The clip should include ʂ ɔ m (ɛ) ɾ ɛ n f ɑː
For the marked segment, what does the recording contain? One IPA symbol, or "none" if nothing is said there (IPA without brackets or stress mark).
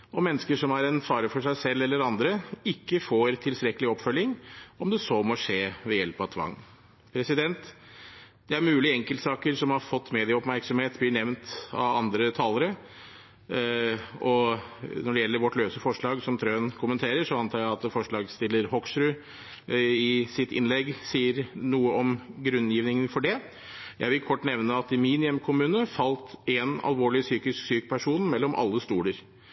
æ